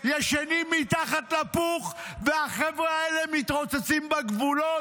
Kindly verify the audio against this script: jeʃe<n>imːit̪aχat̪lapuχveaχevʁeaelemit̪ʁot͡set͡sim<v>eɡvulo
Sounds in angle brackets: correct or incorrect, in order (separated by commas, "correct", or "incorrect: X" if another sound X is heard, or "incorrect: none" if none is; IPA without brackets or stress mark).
correct, incorrect: b